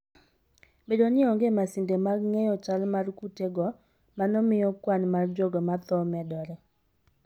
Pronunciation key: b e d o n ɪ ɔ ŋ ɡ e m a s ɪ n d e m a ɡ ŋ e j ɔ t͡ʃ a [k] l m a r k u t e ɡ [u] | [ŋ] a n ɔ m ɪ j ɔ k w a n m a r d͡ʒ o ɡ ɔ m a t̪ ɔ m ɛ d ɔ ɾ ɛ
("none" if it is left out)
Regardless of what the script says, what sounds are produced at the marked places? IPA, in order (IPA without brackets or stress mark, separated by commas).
none, ɔ, m